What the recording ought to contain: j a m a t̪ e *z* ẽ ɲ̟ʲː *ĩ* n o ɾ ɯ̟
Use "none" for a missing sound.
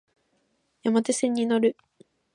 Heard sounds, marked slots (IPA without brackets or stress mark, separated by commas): s, i